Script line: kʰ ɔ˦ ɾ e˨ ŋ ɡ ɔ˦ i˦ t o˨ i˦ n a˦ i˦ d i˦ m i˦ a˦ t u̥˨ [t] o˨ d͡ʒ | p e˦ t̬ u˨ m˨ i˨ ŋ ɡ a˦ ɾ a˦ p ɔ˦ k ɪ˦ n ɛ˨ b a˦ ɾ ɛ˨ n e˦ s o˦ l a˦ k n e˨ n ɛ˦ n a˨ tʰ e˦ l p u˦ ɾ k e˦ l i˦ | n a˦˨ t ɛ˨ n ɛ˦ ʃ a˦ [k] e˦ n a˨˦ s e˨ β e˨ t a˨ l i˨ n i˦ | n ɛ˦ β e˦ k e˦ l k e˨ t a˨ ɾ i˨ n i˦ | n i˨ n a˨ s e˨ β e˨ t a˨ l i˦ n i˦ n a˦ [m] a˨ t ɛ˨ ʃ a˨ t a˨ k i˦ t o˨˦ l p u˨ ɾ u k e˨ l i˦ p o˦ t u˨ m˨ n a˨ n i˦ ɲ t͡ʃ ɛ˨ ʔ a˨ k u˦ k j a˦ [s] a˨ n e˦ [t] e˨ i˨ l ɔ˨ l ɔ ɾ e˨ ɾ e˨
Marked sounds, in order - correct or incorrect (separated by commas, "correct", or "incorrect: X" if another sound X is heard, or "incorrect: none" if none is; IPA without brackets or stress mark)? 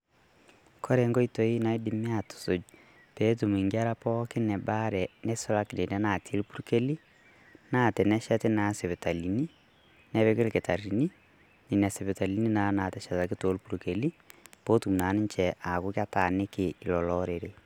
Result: incorrect: s, incorrect: t, incorrect: n, incorrect: t, incorrect: k